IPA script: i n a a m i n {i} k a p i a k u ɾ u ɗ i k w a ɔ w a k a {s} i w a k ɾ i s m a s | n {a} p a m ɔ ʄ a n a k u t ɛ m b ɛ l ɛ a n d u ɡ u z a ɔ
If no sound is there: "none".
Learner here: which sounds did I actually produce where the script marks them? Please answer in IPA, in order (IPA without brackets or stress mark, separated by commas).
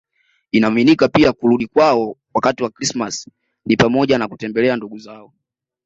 i, t, i